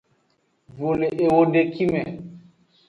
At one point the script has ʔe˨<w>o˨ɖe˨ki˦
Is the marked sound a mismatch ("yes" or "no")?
no